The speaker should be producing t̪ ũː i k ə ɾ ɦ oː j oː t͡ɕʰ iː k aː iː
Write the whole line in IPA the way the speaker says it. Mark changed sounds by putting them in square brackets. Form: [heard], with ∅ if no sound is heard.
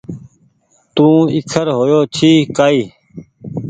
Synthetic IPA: t̪ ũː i [kʰ] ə ɾ ɦ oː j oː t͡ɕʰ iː k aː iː